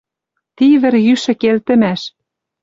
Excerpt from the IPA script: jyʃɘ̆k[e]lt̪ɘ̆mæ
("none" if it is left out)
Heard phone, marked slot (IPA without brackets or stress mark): e